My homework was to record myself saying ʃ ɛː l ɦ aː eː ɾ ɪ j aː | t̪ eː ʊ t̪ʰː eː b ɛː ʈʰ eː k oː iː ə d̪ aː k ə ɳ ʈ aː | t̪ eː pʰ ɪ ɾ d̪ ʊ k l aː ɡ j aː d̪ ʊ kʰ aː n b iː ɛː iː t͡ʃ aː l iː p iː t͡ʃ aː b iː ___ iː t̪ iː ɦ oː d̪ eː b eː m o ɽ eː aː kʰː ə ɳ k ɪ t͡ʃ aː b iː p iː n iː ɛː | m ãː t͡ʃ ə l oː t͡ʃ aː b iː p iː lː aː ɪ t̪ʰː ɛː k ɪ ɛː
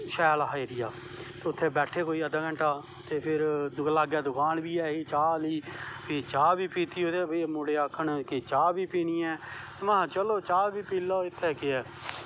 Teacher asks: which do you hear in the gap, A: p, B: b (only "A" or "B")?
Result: A